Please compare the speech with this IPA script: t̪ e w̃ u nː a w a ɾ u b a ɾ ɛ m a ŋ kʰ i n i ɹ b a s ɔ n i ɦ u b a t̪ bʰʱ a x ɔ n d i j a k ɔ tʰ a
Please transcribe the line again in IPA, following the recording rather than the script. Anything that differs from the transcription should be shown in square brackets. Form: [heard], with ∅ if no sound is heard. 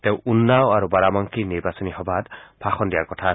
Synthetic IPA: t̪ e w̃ u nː a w a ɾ u b a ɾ [a] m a ŋ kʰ i n i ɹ b a s ɔ n i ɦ [ɔ] b a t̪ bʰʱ a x ɔ n d i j a k ɔ tʰ a